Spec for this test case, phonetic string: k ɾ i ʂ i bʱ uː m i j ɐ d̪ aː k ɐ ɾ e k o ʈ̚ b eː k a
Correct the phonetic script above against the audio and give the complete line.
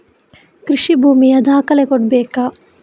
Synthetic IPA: k ɾ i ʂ i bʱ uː m i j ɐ d̪ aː k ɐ l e k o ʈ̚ b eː k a